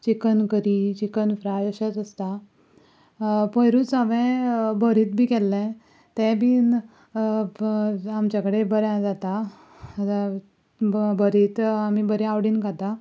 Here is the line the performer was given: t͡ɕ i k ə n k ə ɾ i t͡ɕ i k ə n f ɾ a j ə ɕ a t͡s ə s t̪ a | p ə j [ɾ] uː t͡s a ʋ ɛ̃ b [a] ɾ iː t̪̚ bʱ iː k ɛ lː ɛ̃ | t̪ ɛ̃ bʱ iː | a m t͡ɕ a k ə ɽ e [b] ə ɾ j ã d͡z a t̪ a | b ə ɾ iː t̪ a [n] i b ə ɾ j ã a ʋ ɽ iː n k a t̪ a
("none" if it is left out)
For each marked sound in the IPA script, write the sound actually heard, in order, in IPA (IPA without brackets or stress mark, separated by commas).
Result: ɾ, ə, b, m